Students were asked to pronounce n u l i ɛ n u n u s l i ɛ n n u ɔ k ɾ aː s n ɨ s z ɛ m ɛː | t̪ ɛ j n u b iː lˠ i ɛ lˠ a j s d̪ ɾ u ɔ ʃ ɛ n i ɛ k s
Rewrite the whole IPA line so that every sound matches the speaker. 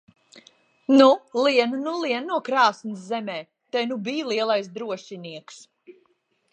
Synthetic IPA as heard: n u l i ɛ n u n u l i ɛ n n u ɔ k ɾ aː s n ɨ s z ɛ m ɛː | t̪ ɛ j n u b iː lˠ i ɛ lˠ a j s d̪ ɾ u ɔ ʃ i n i ɛ k s